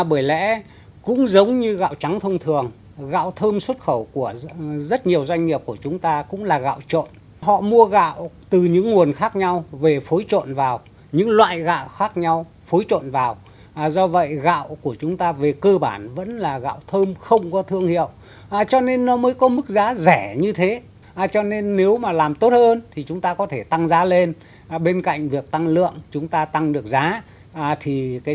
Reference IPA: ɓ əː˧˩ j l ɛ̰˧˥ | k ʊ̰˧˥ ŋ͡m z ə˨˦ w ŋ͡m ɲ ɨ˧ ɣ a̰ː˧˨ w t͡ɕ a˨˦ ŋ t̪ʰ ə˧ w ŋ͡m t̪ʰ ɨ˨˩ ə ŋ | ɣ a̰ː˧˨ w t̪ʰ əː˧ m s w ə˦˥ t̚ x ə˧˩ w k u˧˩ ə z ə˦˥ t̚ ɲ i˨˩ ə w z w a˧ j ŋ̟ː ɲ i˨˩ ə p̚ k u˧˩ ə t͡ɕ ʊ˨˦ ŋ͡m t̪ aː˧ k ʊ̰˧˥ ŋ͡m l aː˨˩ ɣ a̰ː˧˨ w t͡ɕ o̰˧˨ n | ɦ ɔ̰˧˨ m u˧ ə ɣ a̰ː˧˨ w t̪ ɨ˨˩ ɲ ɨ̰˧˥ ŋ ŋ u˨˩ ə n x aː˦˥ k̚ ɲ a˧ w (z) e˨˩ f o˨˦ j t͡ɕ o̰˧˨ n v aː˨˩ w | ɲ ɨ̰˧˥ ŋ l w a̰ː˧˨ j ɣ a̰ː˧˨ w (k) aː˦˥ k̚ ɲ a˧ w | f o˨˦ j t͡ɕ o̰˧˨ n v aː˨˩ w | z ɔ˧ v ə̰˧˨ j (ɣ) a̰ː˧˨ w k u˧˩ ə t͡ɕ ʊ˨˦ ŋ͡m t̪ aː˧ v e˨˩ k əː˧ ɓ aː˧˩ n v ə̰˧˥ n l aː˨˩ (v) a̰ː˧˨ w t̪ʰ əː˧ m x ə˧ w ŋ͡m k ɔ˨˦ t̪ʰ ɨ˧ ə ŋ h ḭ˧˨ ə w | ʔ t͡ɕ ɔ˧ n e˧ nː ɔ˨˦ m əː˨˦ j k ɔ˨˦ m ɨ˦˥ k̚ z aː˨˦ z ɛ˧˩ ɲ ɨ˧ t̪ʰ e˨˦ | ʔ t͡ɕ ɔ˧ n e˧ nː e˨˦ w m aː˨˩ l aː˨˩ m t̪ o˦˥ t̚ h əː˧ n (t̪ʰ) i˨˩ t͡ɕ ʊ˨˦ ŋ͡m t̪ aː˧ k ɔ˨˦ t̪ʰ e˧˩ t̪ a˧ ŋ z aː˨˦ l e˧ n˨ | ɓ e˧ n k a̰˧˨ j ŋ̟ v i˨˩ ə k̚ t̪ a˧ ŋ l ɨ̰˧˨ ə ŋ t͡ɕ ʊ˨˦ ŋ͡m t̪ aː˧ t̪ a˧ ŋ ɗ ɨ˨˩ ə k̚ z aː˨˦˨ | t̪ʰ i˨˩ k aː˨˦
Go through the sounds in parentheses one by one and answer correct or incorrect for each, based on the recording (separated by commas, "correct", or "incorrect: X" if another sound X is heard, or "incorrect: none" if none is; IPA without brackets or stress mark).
incorrect: v, incorrect: x, correct, incorrect: ɣ, correct